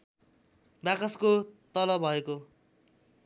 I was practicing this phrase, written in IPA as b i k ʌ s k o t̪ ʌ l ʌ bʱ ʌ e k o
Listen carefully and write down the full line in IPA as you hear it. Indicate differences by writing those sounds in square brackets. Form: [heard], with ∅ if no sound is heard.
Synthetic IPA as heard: b [a] k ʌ s k o t̪ ʌ l ʌ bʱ ʌ e k o